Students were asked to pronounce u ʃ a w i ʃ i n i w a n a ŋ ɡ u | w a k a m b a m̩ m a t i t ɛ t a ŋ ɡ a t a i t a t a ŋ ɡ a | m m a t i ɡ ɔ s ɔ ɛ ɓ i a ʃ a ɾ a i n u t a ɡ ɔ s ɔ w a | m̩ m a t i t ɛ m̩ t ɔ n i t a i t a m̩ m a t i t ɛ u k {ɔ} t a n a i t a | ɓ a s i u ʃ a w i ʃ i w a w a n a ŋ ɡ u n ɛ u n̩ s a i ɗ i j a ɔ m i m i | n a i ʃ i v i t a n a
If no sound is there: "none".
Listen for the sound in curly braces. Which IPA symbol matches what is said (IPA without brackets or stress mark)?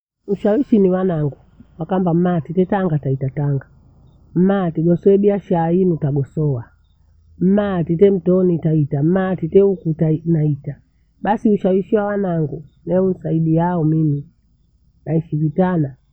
u